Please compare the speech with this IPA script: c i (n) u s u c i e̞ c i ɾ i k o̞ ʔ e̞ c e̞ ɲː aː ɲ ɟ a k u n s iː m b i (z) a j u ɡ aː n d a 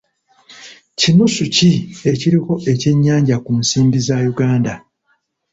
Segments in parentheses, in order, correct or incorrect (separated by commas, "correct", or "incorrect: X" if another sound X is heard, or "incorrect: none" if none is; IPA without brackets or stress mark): correct, correct